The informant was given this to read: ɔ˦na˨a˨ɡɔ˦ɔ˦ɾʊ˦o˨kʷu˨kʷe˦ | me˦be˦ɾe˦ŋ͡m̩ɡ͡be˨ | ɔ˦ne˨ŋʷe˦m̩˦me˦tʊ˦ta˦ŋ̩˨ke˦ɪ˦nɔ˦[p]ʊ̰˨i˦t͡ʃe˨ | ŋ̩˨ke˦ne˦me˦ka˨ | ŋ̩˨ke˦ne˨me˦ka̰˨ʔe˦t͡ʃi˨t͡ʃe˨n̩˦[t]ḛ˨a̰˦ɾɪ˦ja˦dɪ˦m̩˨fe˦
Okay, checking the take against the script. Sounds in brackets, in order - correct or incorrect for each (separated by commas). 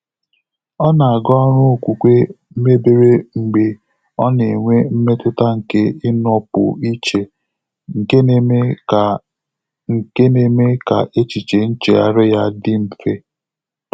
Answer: correct, incorrect